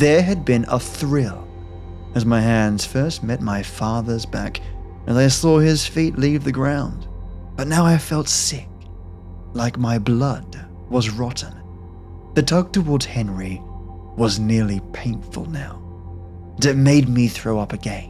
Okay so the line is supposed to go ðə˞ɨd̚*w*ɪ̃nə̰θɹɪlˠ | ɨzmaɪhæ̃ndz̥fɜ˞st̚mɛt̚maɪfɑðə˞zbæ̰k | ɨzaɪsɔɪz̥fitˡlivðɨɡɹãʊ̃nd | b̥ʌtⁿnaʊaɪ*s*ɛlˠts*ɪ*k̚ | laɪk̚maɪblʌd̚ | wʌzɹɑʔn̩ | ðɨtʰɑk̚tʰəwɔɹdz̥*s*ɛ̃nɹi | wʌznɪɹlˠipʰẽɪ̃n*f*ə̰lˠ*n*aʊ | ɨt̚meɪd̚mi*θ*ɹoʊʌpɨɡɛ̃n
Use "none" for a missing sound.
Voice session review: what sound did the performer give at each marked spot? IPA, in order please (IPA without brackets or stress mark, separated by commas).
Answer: b, f, ɪ, h, f, n, θ